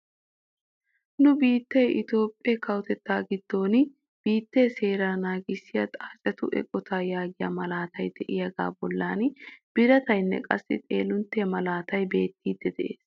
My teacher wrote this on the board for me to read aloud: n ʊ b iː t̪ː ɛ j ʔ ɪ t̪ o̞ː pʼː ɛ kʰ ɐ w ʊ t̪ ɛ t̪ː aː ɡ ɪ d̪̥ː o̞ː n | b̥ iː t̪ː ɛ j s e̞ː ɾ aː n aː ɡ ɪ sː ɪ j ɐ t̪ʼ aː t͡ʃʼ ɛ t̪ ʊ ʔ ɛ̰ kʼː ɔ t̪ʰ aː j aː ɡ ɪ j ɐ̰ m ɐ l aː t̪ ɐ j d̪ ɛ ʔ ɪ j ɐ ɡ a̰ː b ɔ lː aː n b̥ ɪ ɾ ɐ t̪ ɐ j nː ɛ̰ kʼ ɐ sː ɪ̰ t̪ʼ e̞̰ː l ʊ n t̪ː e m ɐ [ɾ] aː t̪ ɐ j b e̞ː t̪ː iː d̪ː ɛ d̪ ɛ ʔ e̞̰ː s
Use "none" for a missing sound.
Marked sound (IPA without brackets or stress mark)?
l